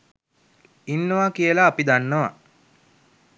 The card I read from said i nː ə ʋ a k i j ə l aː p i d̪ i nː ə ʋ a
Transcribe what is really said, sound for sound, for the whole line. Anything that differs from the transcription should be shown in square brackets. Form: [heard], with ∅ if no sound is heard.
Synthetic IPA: i nː ə ʋ a k i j ə l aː p i d̪ [a] nː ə ʋ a